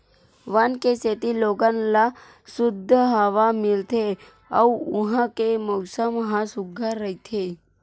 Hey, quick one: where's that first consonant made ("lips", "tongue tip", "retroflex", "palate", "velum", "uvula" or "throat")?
lips